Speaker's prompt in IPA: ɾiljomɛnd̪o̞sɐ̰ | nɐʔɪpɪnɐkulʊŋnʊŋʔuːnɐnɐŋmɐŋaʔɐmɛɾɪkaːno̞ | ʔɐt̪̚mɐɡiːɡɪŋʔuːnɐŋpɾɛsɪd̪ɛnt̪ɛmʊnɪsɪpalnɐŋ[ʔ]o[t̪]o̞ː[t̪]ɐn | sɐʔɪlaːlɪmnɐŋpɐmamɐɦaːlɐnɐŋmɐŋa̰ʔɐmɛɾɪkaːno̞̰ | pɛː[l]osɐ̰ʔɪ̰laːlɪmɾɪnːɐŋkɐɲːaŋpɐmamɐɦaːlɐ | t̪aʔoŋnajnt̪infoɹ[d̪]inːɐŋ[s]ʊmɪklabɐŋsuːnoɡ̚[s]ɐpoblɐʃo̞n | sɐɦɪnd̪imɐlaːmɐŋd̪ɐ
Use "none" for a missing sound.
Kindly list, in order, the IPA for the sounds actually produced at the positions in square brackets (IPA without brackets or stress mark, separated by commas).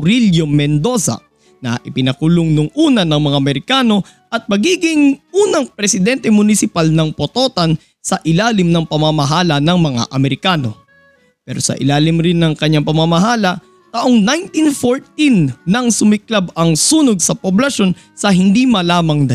p, t̪, t̪, ɾ, t̪, s, s